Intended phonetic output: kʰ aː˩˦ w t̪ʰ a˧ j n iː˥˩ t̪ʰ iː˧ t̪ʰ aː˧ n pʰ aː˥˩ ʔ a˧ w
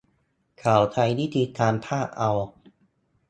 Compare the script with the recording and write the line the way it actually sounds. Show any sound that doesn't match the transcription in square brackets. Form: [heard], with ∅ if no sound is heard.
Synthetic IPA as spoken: kʰ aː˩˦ w t̪ʰ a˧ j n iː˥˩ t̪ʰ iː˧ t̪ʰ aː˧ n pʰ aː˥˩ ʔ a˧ w